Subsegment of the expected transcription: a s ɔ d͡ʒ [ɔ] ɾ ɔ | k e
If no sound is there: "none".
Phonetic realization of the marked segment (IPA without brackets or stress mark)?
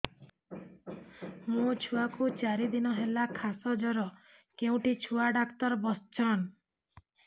ɔ